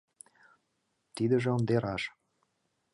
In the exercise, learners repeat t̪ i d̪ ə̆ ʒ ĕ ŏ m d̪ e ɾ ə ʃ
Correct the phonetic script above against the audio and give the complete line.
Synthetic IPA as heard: t̪ i d̪ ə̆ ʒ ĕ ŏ n d̪ e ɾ ɑ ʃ

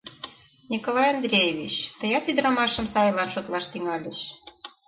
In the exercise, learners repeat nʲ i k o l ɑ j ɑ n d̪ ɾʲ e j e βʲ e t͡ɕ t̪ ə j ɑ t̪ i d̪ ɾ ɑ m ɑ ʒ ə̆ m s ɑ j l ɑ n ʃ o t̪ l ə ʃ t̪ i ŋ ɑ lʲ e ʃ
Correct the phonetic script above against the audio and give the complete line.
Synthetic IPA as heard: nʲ i k o l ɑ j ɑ n d̪ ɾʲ e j e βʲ i t͡ɕ t̪ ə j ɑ t̪ y d̪ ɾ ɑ m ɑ ʃ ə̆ m s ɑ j l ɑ n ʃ o t̪ l ɑ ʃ t̪ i ŋ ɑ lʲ e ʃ

